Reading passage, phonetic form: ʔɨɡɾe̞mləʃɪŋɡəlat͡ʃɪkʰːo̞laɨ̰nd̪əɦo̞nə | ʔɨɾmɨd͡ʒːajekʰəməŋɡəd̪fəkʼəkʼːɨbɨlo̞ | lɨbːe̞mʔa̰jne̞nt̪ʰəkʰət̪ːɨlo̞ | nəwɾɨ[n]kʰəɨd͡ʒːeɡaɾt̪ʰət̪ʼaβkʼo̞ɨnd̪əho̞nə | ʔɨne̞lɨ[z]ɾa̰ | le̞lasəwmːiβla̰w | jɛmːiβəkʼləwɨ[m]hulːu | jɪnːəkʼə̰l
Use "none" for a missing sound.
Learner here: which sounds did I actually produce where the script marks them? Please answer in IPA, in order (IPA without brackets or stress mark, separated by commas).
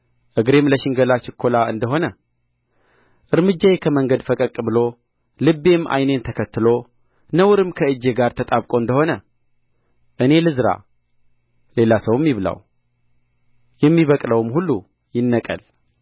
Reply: m, z, m